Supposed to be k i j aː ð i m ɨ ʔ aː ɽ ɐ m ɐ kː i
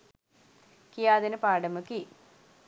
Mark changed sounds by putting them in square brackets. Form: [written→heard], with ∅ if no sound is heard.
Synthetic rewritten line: k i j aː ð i [m→n] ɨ [ʔ→p] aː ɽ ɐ m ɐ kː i

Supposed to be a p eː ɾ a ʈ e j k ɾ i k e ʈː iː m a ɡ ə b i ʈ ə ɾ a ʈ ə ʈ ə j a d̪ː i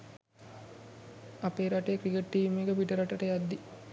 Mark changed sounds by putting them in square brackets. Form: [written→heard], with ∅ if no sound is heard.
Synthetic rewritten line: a p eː ɾ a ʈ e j k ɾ i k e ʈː iː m [a→e] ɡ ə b i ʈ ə ɾ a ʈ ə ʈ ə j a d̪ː i

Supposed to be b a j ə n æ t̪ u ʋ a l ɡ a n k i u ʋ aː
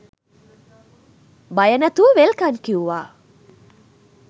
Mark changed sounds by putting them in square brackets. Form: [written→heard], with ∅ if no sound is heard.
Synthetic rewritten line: b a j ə n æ t̪ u ʋ [a→e] l [ɡ→k] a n k i u ʋ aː

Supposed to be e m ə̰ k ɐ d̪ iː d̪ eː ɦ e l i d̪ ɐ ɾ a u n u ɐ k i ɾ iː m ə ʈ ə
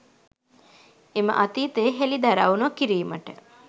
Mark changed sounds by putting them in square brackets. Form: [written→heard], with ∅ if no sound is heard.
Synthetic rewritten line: e m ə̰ [k→ʔ] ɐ [d̪→t̪] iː [d̪→t̪] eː ɦ e l i d̪ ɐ ɾ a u n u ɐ k i ɾ iː m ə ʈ ə

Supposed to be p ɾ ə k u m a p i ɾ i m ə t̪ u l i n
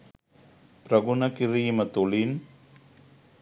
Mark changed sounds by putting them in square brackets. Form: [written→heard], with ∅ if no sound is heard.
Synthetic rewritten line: p ɾ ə [k→ɡ] u [m→n] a [p→k] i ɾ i m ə t̪ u l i n

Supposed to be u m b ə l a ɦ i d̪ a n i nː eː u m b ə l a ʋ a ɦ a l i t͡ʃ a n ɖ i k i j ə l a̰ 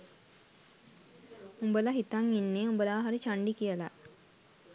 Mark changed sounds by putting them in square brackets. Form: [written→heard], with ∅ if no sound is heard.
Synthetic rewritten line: u m b ə l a ɦ i [d̪→t̪] a [n→ŋ] i nː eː u m b ə l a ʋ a ɦ a [l→ɾ] i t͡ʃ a [n→ɳ] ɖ i k i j ə l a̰

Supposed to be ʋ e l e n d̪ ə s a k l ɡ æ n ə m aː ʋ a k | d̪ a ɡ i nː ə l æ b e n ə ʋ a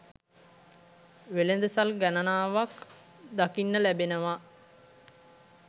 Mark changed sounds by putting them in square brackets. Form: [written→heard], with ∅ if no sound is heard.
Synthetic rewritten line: ʋ e l e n d̪ ə s a [k→∅] l ɡ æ n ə [m→n] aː ʋ a k | d̪ a [ɡ→k] i nː ə l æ b e n ə ʋ a

